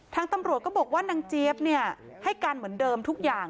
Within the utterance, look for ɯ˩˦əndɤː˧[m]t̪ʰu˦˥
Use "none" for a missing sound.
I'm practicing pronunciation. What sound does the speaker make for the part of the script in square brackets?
m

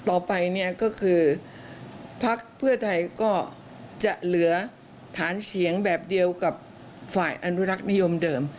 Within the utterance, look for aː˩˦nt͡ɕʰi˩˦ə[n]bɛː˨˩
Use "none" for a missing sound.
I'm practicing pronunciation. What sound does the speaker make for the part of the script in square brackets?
ŋ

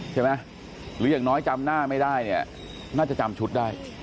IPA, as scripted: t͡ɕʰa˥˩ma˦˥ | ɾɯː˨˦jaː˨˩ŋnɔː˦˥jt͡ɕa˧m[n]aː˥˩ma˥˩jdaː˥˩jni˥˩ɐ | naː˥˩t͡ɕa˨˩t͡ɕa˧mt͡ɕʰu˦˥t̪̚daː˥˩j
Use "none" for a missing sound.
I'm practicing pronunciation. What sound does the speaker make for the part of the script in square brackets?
n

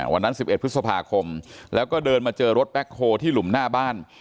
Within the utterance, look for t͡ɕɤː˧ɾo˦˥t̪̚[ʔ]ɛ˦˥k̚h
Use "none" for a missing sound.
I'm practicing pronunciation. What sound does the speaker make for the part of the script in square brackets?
p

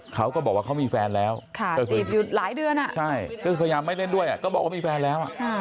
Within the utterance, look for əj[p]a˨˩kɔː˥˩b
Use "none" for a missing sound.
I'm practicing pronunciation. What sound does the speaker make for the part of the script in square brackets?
ʔ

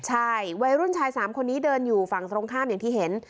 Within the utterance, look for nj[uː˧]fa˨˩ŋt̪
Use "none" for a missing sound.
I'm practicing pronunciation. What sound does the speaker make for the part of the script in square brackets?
uː˨˩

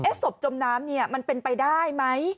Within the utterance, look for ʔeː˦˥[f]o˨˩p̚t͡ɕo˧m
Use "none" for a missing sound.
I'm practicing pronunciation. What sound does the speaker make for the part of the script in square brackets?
s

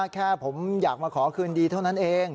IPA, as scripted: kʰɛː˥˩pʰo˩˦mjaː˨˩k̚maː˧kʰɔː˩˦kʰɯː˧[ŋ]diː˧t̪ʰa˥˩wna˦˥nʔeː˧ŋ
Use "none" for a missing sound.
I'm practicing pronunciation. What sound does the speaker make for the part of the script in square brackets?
n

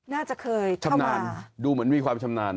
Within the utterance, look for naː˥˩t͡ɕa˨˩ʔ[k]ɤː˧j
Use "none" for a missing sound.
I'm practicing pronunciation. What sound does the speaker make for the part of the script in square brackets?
kʰ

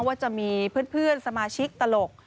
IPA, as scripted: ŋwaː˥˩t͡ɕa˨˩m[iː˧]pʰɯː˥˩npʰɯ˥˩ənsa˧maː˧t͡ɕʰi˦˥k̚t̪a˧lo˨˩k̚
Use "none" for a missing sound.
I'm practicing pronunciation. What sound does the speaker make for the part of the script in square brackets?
iː˧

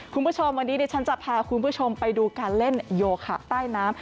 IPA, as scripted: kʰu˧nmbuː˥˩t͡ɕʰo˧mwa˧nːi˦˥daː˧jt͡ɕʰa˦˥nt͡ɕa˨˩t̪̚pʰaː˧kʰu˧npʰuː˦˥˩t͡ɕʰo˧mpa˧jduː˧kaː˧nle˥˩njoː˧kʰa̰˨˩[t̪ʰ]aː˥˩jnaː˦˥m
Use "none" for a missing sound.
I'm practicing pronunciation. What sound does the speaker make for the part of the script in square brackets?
t̪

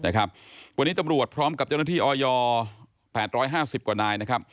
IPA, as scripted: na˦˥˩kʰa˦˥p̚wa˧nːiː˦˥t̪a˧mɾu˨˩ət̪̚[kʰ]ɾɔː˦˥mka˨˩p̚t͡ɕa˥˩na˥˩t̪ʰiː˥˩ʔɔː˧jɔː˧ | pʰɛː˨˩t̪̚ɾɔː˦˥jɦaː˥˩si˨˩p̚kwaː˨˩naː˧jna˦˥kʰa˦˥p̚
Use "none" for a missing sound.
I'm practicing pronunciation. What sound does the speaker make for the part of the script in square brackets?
pʰ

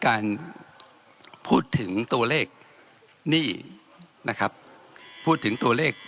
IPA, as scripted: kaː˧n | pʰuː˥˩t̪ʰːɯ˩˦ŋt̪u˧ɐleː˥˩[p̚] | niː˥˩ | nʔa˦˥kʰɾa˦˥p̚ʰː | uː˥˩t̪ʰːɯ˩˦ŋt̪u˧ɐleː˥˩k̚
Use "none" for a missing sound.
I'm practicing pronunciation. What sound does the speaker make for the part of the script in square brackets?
k̚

